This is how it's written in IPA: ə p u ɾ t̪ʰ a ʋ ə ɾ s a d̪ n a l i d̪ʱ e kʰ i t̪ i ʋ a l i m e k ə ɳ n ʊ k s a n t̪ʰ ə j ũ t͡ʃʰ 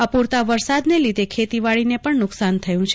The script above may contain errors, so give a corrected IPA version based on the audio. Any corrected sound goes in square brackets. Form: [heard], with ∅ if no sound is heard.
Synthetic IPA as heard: ə p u ɾ [t̪] a ʋ ə ɾ s a d̪ n [e] l i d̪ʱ e kʰ [e] t̪ i ʋ a [ɭ] i [n] e [p] ə ɳ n ʊ k s a n t̪ʰ ə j ũ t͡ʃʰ